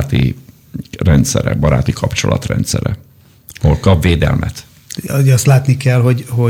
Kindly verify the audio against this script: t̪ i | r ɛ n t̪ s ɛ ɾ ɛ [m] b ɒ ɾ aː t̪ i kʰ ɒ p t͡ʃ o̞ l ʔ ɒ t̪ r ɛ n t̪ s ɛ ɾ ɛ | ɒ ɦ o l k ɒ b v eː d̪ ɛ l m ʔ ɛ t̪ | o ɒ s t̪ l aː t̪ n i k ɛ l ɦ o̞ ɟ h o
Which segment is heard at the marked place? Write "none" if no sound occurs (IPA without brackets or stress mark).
none